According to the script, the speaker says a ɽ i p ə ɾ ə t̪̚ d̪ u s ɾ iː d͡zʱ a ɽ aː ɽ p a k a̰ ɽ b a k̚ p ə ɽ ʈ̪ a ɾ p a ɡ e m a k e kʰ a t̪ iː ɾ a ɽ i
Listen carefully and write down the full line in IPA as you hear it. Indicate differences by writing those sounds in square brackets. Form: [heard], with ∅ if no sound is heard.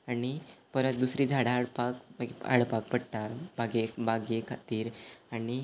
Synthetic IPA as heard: a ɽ i p ə ɾ ə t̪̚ d̪ u s ɾ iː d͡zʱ a ɽ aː ɽ p a k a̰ ɽ [p] a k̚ p ə ɽ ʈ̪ a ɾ [b] a ɡ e [b] a [ɡ] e kʰ a t̪ iː ɾ a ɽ i